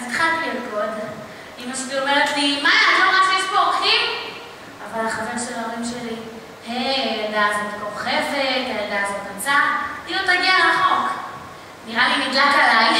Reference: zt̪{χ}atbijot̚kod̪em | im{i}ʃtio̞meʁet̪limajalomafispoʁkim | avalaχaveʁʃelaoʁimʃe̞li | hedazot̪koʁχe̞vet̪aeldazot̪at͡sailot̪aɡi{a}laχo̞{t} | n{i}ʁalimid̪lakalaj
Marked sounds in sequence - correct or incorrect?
correct, incorrect: a, correct, incorrect: k, correct

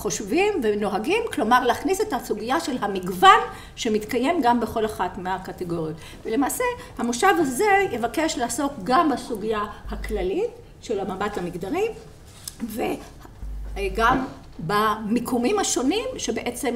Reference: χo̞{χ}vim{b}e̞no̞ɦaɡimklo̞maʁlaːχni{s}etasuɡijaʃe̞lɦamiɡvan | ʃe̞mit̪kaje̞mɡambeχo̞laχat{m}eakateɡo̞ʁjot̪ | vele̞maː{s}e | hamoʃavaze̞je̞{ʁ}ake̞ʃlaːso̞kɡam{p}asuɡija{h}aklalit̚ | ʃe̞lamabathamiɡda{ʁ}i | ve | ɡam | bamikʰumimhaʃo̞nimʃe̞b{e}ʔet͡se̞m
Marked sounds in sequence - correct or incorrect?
incorrect: ʃ, incorrect: v, correct, correct, correct, incorrect: v, incorrect: b, correct, correct, correct

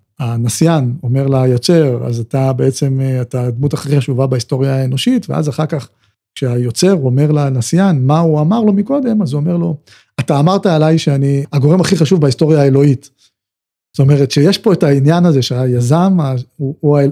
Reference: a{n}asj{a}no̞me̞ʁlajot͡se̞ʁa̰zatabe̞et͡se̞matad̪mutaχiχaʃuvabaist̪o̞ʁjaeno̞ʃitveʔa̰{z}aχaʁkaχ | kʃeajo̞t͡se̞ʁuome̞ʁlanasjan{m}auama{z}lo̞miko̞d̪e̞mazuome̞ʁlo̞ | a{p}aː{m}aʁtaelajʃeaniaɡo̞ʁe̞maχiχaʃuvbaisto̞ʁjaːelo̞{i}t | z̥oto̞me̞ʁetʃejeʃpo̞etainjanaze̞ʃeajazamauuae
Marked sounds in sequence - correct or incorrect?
correct, correct, correct, correct, incorrect: ʁ, incorrect: t, correct, correct

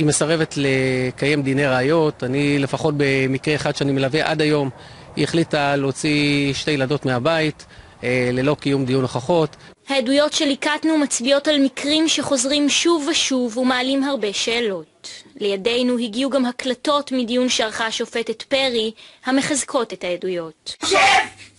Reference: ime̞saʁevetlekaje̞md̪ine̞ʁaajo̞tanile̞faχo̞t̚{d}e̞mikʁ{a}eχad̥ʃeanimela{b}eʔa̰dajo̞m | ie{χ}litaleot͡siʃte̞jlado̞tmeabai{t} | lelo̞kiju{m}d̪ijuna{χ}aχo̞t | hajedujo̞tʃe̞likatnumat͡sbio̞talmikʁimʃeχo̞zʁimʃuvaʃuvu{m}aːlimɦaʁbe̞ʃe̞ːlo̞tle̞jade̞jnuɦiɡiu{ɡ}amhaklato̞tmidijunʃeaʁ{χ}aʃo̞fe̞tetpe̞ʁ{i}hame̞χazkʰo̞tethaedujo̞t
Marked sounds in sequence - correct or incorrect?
incorrect: b, incorrect: e, incorrect: v, correct, correct, correct, correct, correct, correct, correct, correct

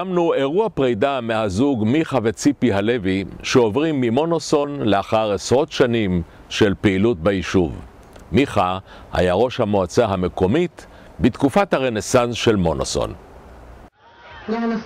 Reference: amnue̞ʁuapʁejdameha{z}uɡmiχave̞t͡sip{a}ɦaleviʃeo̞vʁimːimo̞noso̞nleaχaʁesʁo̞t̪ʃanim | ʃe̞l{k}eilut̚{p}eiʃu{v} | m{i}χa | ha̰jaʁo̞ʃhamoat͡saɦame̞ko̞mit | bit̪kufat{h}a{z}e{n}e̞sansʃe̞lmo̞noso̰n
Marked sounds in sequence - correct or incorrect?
correct, incorrect: i, incorrect: p, incorrect: b, correct, correct, correct, incorrect: ʁ, correct

